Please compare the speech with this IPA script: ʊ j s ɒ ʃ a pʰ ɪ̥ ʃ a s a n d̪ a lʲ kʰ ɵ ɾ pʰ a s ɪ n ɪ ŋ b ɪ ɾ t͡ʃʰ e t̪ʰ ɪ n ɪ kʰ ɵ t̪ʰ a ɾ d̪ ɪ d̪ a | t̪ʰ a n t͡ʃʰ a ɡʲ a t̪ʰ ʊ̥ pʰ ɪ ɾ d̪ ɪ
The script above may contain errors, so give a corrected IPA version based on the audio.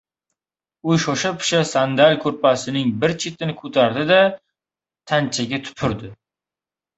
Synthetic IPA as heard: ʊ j ʃ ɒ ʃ a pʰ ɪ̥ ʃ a s a n d̪ a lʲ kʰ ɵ ɾ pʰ a s ɪ n ɪ ŋ b ɪ ɾ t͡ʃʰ e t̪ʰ ɪ n ɪ kʰ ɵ t̪ʰ a ɾ d̪ ɪ d̪ a | t̪ʰ a n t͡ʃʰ a ɡʲ a t̪ʰ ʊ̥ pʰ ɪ ɾ d̪ ɪ